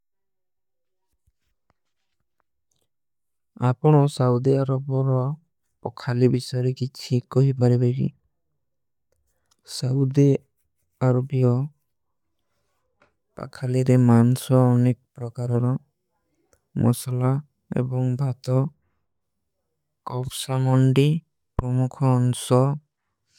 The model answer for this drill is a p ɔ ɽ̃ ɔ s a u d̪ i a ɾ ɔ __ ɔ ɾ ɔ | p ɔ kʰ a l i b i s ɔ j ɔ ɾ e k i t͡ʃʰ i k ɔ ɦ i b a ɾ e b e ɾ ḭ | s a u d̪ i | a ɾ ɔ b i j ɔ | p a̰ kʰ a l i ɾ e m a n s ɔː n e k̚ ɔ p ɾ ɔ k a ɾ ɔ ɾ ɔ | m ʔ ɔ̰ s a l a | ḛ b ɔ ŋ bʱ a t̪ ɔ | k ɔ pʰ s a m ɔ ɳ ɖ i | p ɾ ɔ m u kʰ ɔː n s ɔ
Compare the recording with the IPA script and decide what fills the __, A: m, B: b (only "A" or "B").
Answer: B